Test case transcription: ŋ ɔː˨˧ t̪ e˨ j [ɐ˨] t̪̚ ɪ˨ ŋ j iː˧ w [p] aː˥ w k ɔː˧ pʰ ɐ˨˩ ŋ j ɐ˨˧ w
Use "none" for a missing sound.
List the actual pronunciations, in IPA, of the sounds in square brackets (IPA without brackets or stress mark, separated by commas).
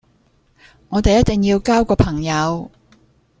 ɐ˥, k